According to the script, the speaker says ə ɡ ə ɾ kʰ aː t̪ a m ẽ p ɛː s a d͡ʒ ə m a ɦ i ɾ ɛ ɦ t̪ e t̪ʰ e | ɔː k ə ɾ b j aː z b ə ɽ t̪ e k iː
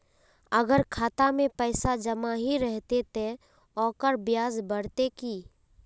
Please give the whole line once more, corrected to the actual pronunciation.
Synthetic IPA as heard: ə ɡ ə ɾ kʰ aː t̪ a m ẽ p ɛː s a d͡ʒ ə m a ɦ i ɾ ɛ ɦ t̪ e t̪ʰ e | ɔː k ə ɾ b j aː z b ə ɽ t̪ e k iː

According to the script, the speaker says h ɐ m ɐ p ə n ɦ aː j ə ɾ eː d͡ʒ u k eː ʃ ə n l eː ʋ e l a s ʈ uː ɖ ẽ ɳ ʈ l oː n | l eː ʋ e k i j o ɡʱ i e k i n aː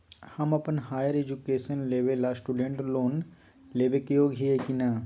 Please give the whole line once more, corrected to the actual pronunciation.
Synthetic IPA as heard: h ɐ m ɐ p ə n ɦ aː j ə ɾ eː d͡ʒ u k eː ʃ ə n l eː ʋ e l a s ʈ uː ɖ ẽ ɳ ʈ l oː n | l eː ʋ e k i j o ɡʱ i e k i n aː

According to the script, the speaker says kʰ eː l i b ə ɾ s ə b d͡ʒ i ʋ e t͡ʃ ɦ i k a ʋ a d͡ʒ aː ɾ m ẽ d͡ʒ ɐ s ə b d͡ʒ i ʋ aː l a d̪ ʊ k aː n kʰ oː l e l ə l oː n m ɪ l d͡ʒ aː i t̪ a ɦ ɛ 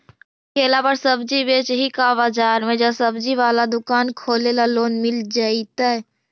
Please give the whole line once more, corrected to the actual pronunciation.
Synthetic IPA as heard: kʰ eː l a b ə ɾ s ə b d͡ʒ i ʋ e t͡ʃ ɦ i k a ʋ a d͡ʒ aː ɾ m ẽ d͡ʒ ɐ s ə b d͡ʒ i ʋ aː l a d̪ ʊ k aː n kʰ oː l e l a l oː n m ɪ l d͡ʒ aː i t̪ a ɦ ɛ

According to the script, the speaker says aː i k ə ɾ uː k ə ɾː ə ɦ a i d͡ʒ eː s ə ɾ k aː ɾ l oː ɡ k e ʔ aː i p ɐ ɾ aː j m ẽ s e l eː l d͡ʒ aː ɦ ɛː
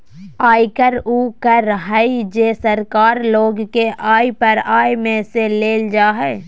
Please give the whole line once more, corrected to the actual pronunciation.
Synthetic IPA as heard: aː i k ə ɾ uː k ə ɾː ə ɦ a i d͡ʒ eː s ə ɾ k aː ɾ l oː ɡ k e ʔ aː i p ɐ ɾ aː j m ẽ s e l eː l d͡ʒ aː ɦ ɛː

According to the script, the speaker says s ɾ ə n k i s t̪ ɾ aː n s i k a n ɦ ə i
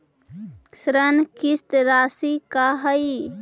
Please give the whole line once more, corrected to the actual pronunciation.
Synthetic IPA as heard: s ɾ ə n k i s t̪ ɾ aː s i k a ɦ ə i

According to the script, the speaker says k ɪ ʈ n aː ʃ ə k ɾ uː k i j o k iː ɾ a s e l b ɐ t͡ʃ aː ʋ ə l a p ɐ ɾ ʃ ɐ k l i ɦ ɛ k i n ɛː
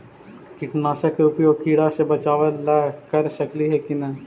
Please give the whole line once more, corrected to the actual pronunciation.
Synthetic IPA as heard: k ɪ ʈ n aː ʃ ə k ɾ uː p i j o k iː ɽ a s e b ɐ t͡ʃ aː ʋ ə l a k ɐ ɾ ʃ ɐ k l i ɦ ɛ k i n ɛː

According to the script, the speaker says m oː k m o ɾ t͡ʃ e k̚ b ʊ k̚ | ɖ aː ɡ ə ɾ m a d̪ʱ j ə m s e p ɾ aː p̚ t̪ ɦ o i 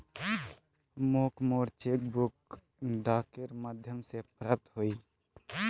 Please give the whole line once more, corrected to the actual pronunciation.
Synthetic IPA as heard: m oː k m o ɾ t͡ʃ e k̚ b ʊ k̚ | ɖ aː k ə ɾ m a d̪ʱ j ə m s e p ɾ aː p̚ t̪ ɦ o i

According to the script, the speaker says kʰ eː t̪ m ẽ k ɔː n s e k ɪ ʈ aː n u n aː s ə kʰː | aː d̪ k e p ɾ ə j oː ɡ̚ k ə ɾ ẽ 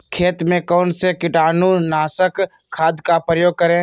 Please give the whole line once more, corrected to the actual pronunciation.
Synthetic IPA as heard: kʰ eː t̪ m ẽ k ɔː n s e k ɪ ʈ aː n u n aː s ə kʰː | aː d̪ k a p ɾ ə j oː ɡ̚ k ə ɾ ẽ

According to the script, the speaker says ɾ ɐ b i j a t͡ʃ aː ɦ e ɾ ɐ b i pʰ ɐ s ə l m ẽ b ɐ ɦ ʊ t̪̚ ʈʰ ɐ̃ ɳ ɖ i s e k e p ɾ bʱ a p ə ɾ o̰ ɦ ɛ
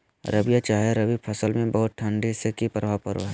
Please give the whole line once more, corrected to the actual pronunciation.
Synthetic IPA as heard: ɾ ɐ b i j a t͡ʃ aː ɦ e ɾ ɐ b i pʰ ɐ s ə l m ẽ b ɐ ɦ ʊ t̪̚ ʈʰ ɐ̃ ɳ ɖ i s e k i p ɾ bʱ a p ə ɾ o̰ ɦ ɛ

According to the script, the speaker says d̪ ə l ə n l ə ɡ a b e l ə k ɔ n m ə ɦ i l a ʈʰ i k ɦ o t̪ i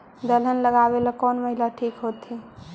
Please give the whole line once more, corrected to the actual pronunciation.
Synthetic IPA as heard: d̪ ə l ə n l ə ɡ a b e l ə k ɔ n m ə ɦ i l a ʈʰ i k ɦ o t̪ i

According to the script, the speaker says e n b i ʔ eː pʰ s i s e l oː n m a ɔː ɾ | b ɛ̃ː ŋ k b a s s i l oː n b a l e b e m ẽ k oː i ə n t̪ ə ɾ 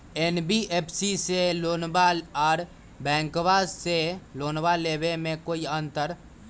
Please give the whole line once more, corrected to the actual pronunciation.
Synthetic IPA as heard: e n b i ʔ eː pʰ s i s e l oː n b a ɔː ɾ | b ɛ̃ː ŋ k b a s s e l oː n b a l e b e m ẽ k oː i ə n t̪ ə ɾ

